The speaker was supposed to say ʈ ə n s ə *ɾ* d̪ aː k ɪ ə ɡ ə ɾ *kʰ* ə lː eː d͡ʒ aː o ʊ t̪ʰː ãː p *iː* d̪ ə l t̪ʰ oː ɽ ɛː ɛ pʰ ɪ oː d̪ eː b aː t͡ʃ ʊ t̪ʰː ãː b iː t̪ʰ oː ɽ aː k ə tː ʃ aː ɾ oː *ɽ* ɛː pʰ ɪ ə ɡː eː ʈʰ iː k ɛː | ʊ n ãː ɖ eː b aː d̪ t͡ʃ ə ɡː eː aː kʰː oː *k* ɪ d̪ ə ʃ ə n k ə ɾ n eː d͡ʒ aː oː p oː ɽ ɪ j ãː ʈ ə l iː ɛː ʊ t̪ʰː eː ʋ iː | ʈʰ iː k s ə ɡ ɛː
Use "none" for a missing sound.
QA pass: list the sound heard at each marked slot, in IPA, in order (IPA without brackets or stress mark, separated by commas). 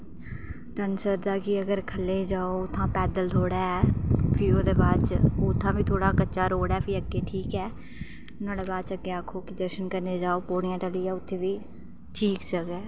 ɾ, kʰ, ɛː, ɽ, k